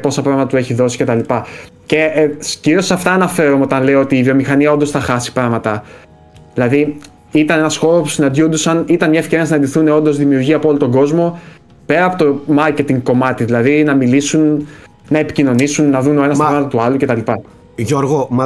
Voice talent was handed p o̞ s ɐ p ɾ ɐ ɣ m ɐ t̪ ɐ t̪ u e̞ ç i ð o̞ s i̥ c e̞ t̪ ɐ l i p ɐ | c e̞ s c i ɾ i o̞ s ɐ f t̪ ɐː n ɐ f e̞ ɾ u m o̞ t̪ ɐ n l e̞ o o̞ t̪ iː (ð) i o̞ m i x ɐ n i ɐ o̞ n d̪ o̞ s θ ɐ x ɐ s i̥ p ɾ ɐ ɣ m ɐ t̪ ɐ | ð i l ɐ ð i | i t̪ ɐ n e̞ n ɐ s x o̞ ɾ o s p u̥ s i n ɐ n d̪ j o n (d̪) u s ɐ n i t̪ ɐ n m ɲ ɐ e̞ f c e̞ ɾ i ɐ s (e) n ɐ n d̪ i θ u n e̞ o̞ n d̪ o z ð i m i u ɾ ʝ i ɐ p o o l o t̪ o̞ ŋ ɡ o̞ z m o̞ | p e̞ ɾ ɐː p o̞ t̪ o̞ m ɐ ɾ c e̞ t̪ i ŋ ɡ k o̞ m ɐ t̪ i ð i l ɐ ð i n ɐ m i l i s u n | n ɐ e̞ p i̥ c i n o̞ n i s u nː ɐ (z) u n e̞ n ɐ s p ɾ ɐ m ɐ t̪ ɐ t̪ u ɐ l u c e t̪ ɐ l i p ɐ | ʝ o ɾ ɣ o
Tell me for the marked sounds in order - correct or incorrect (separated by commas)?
incorrect, correct, incorrect, incorrect